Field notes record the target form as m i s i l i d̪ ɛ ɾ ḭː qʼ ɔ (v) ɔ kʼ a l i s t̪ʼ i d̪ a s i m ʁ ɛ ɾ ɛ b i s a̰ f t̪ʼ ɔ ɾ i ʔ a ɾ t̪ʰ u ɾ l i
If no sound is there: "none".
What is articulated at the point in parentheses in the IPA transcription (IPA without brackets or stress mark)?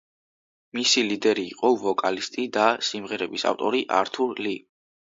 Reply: v